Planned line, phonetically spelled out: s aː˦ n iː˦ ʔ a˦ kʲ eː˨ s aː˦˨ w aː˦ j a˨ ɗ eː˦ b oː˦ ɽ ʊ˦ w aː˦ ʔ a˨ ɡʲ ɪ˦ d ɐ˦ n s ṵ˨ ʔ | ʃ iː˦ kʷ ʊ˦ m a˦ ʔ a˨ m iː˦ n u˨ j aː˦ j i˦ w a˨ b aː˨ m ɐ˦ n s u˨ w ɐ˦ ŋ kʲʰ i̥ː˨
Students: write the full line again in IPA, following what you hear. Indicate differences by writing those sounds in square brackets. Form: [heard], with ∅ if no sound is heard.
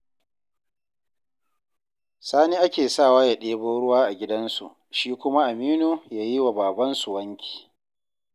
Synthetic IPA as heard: s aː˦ n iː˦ ʔ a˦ kʲ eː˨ s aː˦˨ w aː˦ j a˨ ɗ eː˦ b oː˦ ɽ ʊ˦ w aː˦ ʔ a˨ ɡʲ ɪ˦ d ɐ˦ n s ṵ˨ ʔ | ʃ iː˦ kʷ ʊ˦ m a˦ ʔ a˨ m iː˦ n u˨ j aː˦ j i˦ w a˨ b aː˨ [b] ɐ˦ n s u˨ w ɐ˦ ŋ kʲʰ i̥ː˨